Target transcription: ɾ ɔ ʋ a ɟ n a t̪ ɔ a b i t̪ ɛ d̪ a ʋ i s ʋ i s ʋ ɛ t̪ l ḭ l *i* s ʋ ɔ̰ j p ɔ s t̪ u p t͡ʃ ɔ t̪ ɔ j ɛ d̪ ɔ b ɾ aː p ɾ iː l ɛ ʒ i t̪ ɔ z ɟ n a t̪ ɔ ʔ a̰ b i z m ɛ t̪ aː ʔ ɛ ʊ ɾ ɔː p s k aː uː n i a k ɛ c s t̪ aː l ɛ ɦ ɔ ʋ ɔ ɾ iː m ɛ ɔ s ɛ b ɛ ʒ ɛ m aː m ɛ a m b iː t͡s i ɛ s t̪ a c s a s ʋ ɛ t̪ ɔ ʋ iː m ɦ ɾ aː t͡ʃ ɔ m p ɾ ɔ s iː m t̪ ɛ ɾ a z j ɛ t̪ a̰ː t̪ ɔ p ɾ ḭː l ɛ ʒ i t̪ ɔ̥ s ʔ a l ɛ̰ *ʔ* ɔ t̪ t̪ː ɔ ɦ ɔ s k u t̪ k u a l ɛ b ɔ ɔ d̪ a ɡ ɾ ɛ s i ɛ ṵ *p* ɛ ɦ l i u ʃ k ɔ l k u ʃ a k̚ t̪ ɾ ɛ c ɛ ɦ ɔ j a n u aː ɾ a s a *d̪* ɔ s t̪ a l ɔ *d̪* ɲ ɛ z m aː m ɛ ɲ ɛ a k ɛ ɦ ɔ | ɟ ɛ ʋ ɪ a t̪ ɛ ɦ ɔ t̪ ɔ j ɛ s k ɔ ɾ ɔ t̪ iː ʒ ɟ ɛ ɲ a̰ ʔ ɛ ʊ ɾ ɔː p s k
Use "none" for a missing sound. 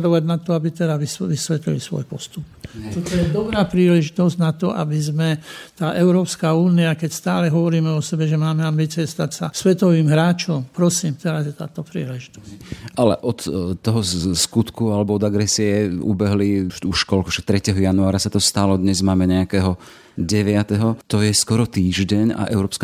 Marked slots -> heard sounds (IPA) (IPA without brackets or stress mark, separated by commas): i, ʔ, b, t̪, d̪